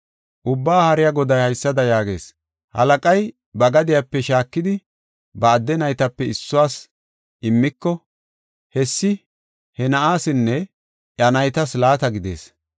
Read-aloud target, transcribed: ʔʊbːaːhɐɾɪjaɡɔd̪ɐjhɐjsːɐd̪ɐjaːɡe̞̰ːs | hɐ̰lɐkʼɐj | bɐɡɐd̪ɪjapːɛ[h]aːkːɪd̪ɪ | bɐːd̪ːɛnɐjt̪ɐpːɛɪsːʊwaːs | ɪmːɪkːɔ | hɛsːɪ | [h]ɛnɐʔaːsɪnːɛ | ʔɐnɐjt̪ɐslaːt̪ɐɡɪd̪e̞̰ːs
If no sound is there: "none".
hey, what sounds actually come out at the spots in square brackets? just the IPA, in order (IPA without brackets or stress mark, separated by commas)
ʃ, h